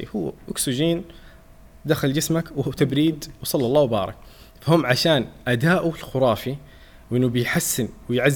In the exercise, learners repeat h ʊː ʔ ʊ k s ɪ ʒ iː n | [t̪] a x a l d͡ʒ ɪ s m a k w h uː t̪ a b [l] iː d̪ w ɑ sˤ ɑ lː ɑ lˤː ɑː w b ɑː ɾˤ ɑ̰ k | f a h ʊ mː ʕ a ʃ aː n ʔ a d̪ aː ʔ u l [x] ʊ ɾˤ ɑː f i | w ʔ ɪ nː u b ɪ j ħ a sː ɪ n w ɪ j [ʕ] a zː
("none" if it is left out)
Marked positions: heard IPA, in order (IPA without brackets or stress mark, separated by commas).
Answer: d̪, ɾ, x, ʕ